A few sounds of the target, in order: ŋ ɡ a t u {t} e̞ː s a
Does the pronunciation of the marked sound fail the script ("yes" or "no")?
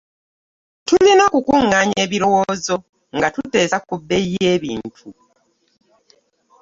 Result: no